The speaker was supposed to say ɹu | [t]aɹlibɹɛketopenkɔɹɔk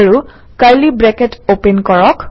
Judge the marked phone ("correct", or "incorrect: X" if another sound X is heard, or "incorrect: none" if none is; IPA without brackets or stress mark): incorrect: k